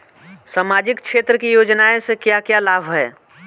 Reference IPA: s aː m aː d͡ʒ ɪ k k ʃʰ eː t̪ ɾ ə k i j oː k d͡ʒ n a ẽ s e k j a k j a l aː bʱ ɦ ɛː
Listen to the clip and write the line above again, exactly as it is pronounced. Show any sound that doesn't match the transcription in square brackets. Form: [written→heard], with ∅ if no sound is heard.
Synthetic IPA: s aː m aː d͡ʒ ɪ k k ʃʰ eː t̪ ɾ ə k i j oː [k→∅] d͡ʒ n a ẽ s e k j a k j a l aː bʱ ɦ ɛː